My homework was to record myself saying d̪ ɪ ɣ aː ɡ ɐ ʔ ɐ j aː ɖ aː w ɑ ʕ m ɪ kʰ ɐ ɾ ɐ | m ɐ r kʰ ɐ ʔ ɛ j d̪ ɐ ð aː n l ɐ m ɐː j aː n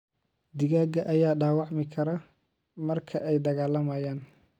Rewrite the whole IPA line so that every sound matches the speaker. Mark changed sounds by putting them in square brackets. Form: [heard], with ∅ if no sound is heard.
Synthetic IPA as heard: d̪ ɪ ɣ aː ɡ ɐ ʔ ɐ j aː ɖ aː w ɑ ʕ m ɪ kʰ ɐ ɾ ɐ | m ɐ r kʰ ɐ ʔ ɛ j d̪ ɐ [ɣ] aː [∅] l ɐ m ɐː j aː n